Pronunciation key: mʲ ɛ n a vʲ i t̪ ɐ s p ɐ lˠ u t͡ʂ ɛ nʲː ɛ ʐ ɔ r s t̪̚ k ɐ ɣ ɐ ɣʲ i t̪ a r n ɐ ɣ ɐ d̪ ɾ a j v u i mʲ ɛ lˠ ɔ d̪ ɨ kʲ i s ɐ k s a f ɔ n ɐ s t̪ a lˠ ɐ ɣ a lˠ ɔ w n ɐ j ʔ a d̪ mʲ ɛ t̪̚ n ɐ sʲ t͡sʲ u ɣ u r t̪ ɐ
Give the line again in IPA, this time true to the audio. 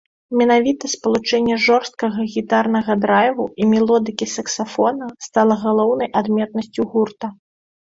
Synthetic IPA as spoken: mʲ ɛ n a vʲ i t̪ ɐ s p ɐ lˠ u t͡ʂ ɛ nʲː ɛ ʐ ɔ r s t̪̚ k ɐ ɣ ɐ ɣʲ i t̪ a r n ɐ ɣ ɐ d̪ ɾ a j v u i mʲ ɛ lˠ ɔ d̪ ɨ kʲ i s ɐ k s a f ɔ n ɐ s t̪ a lˠ ɐ ɣ a lˠ ɔ w n ɐ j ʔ a d̪ mʲ ɛ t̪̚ n ɐ sʲ t͡sʲ u ɣ u r t̪ ɐ

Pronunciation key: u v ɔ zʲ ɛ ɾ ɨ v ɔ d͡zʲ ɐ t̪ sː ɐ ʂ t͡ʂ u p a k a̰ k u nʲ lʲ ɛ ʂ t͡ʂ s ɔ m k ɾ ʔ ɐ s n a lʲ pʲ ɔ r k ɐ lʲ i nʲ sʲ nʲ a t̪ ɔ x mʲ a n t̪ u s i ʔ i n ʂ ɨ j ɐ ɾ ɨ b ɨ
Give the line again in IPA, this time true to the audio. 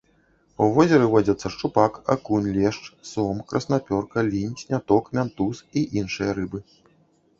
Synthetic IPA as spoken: u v ɔ zʲ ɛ ɾ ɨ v ɔ d͡zʲ ɐ t̪ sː ɐ ʂ t͡ʂ u p a k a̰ k u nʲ lʲ ɛ ʂ t͡ʂ s ɔ m k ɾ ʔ ɐ s n a pʲ ɔ r k ɐ lʲ i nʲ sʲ nʲ a t̪ ɔ k mʲ a n t̪ u s i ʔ i n ʂ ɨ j ɐ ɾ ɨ b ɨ

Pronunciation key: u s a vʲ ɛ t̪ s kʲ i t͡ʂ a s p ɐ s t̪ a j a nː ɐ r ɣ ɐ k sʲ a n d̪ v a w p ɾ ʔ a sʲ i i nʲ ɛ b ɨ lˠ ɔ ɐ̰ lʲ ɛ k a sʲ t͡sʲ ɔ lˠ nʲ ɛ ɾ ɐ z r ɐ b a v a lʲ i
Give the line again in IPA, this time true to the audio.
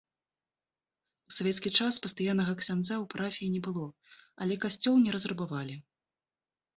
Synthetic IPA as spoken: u s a vʲ ɛ t̪ s kʲ i t͡ʂ a s p ɐ s t̪ a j a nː ɐ ɣ ɐ k sʲ a n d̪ z a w p ɾ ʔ a fʲ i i nʲ ɛ b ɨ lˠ ɔ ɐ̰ lʲ ɛ k a sʲ t͡sʲ ɔ lˠ nʲ ɛ ɾ ɐ z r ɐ b a v a lʲ i

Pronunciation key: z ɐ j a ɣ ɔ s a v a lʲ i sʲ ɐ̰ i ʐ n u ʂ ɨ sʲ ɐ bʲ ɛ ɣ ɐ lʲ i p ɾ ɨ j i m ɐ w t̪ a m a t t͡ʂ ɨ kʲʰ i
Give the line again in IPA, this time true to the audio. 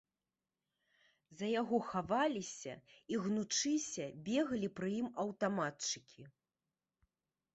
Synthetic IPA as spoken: z ɐ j a ɣ ɔ x a v a lʲ i sʲ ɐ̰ i ɣ n u t͡ʂ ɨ sʲ ɐ bʲ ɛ ɣ ɐ lʲ i p ɾ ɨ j i m ɐ w t̪ a m a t t͡ʂ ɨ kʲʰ i

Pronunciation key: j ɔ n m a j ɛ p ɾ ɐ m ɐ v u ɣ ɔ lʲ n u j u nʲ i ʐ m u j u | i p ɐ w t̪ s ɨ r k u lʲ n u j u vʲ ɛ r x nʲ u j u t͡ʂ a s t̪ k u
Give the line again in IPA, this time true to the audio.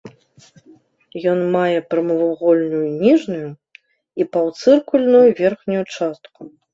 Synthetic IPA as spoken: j ɔ n m a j ɛ p ɾ ɐ m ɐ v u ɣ ɔ lʲ n u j u nʲ i ʐ n u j u | i p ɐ w t̪ s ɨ r k u lʲ n u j u vʲ ɛ r x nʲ u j u t͡ʂ a s t̪ k u

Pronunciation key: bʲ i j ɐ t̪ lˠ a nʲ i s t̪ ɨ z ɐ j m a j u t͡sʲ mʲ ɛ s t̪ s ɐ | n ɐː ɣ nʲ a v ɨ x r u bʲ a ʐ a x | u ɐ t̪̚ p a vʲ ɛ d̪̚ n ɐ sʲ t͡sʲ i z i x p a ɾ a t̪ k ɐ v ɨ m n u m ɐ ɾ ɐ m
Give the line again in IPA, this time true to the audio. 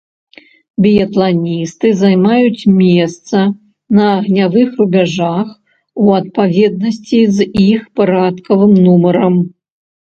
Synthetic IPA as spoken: bʲ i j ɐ t̪ lˠ a nʲ i s t̪ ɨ z a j m a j u t͡sʲ mʲ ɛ s t̪ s ɐ | n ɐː ɣ nʲ a v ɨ x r u bʲ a ʐ a x | u ɐ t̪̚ p a vʲ ɛ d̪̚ n ɐ sʲ t͡sʲ i z i x p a ɾ a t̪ k ɐ v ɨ m n u m ɐ ɾ ɐ m

